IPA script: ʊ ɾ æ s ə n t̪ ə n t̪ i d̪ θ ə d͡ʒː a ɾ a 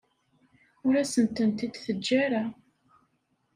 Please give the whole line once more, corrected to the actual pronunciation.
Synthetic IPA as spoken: ʊ ɾ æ s ə n t̪ ə n t̪ i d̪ θ ə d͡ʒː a ɾ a